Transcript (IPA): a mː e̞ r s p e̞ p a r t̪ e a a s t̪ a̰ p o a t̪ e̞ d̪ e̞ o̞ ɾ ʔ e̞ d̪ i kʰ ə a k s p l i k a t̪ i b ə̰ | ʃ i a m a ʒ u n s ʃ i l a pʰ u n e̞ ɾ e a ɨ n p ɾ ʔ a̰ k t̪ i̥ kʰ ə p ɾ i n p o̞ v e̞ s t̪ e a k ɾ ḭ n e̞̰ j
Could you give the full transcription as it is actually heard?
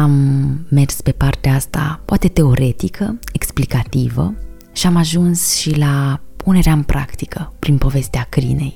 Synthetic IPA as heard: a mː e̞ r s p e̞ p a r t̪ e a a s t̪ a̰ p o a t̪ e̞ t̪ e̞ o̞ ɾ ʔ e̞ t̪ i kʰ ə e k s p l i k a t̪ i v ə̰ | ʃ i a m a ʒ u n s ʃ i l a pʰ u n e̞ ɾ e a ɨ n p ɾ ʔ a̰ k t̪ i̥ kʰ ə p ɾ i n p o̞ v e̞ s t̪ e a k ɾ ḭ n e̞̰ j